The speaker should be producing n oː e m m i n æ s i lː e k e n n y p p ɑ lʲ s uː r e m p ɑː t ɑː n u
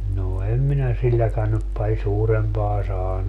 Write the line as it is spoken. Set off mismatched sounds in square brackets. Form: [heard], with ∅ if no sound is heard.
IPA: n oː e m m i n æ s i lː [æ] k [æ] n n y p p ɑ lʲ s uː r e m p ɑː [s] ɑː n u